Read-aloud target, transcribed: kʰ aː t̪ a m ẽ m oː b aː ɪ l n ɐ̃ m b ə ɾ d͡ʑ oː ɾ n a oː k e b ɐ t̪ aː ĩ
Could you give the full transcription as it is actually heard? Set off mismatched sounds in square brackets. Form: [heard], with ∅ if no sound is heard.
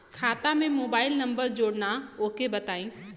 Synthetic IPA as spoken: kʰ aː t̪ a m ẽ m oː b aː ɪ l n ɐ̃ m b ə ɾ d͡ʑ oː [ɽ] n a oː k e b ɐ t̪ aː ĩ